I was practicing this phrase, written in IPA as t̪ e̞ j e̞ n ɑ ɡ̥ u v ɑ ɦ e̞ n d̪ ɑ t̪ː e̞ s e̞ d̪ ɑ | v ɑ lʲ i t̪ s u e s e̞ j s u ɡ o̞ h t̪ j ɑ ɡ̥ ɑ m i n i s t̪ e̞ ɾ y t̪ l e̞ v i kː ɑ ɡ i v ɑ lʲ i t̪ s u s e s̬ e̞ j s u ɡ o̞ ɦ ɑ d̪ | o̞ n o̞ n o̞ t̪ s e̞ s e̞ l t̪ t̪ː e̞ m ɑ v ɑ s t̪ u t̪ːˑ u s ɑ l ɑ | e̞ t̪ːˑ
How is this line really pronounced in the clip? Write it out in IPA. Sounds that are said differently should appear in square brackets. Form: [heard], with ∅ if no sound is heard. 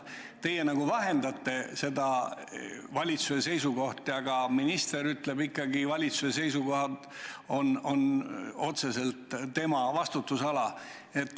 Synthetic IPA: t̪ e̞ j e̞ n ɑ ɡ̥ u v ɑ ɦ e̞ n d̪ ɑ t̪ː e̞ s e̞ d̪ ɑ | v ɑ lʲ i t̪ s u e s e̞ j s u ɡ o̞ h t̪ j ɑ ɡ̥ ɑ m i n i s t̪ e̞ ɾ y t̪ l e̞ [b] i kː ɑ ɡ i v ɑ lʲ i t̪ s u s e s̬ e̞ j s u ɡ o̞ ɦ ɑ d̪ | o̞ n o̞ n o̞ t̪ s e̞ s e̞ l t̪ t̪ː e̞ m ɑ v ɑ s t̪ u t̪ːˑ u s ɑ l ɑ | e̞ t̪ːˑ